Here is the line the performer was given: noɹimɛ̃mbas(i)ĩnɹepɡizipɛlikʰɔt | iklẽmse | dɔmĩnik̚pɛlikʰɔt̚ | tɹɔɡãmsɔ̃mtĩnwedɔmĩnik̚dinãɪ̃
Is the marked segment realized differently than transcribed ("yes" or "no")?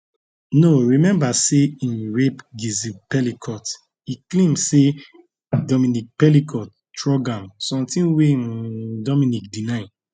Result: yes